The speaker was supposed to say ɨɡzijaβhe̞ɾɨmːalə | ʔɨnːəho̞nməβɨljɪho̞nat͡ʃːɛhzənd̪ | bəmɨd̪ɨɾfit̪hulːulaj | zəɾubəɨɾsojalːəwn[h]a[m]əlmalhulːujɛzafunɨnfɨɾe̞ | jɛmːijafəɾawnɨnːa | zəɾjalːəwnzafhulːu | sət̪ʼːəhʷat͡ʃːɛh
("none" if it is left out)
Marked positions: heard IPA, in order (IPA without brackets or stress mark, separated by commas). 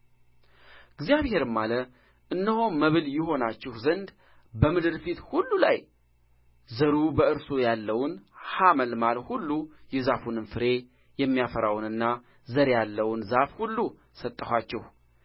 h, m